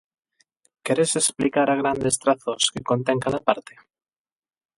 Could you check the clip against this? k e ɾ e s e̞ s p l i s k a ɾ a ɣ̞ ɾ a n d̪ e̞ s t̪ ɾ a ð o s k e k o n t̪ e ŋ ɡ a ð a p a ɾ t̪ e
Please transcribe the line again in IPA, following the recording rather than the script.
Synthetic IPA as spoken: k e ɾ e s e̞ s p l i k a ɾ a ɣ̞ ɾ a n d̪ e̞ s t̪ ɾ a θ o s k e k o n t̪ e ŋ k a ð a p a ɾ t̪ e